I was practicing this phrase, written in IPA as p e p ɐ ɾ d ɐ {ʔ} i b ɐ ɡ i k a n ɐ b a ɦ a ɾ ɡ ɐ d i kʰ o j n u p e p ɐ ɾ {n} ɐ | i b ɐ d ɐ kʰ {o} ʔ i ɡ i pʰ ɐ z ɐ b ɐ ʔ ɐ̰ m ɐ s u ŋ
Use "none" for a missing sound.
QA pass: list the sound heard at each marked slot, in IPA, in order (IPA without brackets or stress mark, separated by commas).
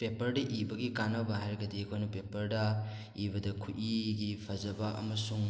ʔ, d, u